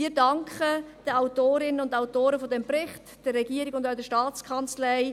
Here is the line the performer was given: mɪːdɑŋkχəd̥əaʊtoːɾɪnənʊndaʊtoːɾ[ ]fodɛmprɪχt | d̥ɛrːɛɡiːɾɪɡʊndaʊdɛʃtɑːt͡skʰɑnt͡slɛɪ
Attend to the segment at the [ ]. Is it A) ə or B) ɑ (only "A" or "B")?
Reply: A